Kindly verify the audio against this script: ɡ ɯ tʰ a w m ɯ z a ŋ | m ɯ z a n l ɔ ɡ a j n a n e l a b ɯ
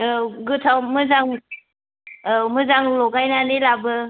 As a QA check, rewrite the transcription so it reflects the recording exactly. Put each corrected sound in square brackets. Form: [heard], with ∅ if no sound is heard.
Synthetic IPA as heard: ɡ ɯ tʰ a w m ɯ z a ŋ | m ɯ z a [ŋ] l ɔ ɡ a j n a n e l a b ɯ